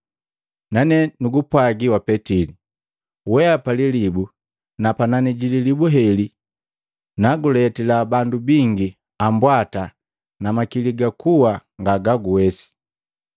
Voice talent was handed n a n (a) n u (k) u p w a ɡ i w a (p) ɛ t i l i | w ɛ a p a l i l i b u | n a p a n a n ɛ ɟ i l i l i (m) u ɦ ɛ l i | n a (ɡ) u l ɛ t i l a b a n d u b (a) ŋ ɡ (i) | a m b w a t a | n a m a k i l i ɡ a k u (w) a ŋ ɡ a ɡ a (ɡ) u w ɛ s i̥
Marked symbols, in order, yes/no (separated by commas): no, no, yes, no, yes, no, yes, yes, yes